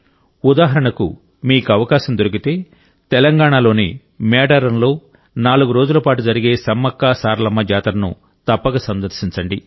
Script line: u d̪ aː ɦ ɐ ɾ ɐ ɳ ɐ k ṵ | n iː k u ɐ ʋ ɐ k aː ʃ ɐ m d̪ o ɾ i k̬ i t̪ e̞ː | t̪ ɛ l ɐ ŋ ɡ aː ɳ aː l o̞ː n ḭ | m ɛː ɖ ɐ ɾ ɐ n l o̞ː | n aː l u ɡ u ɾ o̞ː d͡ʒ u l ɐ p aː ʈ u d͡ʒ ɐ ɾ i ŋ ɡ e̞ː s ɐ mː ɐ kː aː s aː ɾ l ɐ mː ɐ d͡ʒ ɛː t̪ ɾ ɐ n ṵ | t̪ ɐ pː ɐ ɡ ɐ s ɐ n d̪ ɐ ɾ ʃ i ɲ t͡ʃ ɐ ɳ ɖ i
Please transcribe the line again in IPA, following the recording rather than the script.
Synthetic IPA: u d̪ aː ɦ ɐ ɾ ɐ ɳ ɐ k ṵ | m iː k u ɐ ʋ ɐ k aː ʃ ɐ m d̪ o ɾ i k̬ i t̪ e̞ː | t̪ ɛ l ɐ ŋ ɡ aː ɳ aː l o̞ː n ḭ | m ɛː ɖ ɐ ɾ ɐ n l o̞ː | n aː l u ɡ u ɾ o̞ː d͡ʒ u l ɐ p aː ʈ u d͡ʒ ɐ ɾ i ɡ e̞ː s ɐ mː ɐ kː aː s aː ɾ l ɐ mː ɐ d͡ʒ aː t̪ ɾ ɐ n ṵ | t̪ ɐ pː ɐ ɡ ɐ s ɐ n d̪ ɐ ɾ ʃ i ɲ t͡ʃ ɐ ɳ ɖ i